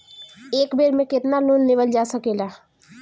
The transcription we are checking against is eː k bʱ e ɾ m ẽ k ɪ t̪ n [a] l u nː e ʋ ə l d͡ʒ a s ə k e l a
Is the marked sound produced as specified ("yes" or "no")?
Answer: yes